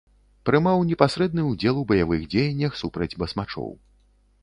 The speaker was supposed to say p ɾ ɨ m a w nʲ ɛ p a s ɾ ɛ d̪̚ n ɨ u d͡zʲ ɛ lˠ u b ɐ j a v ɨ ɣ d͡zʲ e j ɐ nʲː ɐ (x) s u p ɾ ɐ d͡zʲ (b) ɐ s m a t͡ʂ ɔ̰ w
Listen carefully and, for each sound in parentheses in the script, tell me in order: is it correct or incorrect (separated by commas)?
correct, correct